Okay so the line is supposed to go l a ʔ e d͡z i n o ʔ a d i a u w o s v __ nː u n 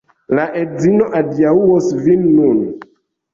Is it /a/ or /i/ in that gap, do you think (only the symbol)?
i